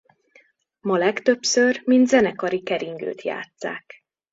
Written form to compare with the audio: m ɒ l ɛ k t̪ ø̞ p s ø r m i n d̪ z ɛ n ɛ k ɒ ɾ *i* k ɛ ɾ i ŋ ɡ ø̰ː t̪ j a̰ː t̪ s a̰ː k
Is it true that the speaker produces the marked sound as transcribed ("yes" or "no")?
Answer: yes